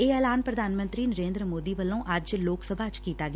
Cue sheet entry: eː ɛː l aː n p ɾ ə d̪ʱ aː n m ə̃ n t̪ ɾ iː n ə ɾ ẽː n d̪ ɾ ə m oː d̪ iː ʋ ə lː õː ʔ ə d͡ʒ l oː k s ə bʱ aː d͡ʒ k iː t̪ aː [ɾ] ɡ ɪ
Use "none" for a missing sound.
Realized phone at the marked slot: none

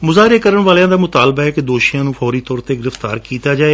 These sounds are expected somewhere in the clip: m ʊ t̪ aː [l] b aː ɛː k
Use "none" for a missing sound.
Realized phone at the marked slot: l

